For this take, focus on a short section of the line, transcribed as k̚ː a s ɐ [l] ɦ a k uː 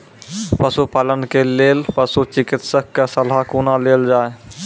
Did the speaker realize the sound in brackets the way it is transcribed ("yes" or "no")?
yes